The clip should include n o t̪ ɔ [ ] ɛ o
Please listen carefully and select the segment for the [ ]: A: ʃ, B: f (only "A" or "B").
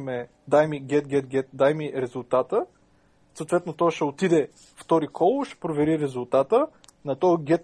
A